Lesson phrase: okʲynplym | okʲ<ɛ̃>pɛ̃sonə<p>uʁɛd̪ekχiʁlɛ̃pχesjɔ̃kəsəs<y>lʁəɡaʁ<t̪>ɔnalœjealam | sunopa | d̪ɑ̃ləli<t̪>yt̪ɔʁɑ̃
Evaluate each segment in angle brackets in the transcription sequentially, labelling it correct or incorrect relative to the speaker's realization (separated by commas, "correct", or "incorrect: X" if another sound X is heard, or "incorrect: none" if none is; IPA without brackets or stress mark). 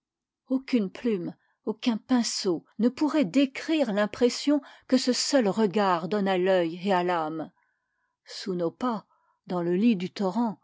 correct, correct, incorrect: œ, incorrect: d̪, incorrect: d̪